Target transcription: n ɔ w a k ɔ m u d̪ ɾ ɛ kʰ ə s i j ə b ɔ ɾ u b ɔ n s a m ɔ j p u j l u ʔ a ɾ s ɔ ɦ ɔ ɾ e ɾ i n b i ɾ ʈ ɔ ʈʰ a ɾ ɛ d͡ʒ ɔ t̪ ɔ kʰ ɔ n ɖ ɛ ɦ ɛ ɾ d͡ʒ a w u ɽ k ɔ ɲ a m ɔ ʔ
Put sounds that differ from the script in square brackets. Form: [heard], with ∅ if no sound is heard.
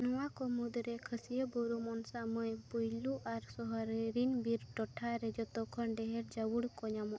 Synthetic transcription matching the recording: n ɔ w a k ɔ m u d̪ ɾ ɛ kʰ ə s i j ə b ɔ ɾ u [m] ɔ n s a m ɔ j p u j l u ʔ a ɾ s ɔ ɦ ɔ ɾ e ɾ i n b i ɾ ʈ ɔ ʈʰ a ɾ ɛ d͡ʒ ɔ t̪ ɔ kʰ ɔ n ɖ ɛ ɦ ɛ ɾ d͡ʒ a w u ɽ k ɔ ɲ a m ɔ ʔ